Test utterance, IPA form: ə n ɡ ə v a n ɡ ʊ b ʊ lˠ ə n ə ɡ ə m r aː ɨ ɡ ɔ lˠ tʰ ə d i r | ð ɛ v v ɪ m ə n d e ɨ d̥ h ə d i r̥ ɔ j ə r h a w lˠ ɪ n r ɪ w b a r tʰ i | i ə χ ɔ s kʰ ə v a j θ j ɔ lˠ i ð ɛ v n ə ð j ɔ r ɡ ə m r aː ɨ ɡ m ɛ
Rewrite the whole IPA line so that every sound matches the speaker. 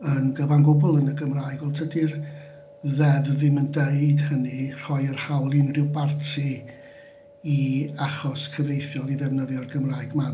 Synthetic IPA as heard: ə n ɡ ə v a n ɡ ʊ b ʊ lˠ ə n ə ɡ ə m r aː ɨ ɡ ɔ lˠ tʰ ə d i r | ð ɛ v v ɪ m ə n d e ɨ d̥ h ə n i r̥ ɔ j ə r h a w lˠ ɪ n r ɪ w b a r tʰ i | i a χ ɔ s kʰ ə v e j θ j ɔ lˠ i ð ɛ v n ə ð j ɔ r ɡ ə m r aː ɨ ɡ m a